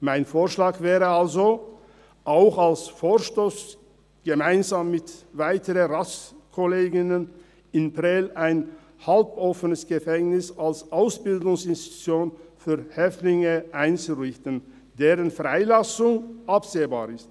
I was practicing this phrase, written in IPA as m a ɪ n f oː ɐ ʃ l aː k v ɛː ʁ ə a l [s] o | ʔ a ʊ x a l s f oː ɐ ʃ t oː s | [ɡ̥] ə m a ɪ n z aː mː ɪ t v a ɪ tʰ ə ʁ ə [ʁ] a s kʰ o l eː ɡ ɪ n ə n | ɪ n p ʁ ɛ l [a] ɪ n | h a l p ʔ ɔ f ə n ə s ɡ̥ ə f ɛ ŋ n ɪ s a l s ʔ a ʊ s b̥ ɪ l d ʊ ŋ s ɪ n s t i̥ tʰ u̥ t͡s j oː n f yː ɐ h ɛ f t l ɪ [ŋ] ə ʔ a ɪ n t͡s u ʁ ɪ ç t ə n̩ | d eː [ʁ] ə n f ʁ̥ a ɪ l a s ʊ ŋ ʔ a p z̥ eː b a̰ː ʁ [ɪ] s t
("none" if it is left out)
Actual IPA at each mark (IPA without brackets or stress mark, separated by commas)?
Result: z, ɡ̥, ʁ, a, ŋ, ʁ, ɪ